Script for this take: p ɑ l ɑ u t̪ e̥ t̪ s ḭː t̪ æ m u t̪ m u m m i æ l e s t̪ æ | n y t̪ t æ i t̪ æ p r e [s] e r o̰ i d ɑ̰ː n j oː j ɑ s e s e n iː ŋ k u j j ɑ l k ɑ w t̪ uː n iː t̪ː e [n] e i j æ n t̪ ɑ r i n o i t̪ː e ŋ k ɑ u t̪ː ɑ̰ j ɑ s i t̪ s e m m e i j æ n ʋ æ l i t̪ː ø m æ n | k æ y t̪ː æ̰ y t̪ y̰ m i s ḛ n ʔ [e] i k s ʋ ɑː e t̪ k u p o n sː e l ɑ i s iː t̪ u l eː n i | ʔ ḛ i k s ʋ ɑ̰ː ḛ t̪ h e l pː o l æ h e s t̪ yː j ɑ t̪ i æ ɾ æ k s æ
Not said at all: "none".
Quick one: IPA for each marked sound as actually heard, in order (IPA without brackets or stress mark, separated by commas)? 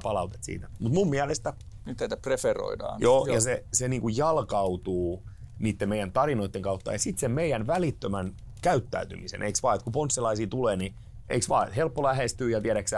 f, m, e